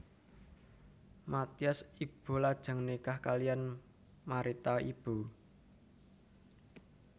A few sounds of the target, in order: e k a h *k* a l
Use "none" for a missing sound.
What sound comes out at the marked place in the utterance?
k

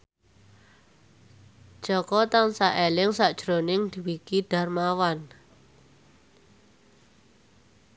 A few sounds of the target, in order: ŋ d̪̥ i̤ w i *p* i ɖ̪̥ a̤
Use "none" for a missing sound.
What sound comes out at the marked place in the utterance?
k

